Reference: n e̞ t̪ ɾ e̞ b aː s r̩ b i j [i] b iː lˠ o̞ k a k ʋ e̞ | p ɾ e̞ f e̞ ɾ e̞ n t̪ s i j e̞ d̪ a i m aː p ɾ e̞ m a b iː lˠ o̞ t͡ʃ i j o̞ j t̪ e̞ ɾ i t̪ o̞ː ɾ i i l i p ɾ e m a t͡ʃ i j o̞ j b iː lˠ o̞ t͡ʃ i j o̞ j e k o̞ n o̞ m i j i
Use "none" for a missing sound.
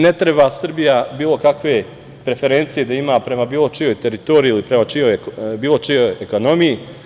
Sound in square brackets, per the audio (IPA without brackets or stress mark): a